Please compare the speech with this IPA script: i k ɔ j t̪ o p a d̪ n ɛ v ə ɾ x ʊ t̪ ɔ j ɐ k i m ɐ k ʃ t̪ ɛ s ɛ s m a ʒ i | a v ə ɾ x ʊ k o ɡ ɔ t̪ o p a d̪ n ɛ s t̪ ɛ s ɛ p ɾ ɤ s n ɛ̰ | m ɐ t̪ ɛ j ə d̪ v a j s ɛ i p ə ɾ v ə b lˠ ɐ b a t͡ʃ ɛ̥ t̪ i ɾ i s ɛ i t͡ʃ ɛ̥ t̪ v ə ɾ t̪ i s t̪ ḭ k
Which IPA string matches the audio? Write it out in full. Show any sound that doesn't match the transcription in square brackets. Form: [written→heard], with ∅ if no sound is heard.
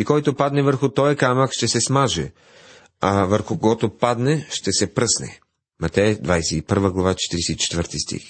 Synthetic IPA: i k ɔ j t̪ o p a d̪ n ɛ v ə ɾ x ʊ t̪ ɔ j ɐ k [i→a] m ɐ k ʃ t̪ ɛ s ɛ s m a ʒ [i→ɛ] | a v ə ɾ x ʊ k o ɡ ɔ t̪ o p a d̪ n ɛ [s→ʃ] t̪ ɛ s ɛ p ɾ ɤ s n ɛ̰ | m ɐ t̪ ɛ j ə d̪ v a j s ɛ i p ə ɾ v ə [b→ɡ] lˠ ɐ [b→v] a t͡ʃ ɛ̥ t̪ i ɾ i s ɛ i t͡ʃ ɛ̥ t̪ v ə ɾ t̪ i s t̪ ḭ [k→x]